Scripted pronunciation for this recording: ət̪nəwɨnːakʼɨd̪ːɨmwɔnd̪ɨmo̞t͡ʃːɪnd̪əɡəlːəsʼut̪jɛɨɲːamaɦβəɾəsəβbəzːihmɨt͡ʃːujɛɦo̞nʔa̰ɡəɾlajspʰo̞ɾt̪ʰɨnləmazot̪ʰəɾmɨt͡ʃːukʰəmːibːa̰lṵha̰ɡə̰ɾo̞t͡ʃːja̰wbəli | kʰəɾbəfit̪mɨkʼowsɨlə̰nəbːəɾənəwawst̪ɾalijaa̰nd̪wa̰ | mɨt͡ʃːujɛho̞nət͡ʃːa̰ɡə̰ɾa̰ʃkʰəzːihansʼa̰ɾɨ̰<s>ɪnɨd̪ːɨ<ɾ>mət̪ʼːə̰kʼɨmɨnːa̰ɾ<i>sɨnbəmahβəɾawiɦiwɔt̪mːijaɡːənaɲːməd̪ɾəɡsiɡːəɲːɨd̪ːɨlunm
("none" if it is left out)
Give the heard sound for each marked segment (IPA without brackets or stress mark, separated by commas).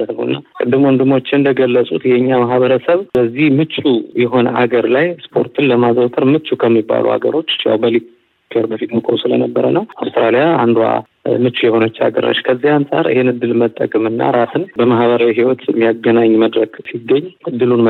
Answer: h, l, a